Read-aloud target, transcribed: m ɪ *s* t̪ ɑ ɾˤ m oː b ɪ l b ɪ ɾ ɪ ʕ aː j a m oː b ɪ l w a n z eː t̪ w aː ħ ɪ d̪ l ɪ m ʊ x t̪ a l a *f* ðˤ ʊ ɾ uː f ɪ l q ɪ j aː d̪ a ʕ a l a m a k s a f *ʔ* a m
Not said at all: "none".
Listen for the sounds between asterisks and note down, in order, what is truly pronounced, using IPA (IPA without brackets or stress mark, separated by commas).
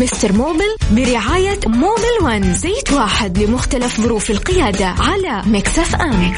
s, f, ʔ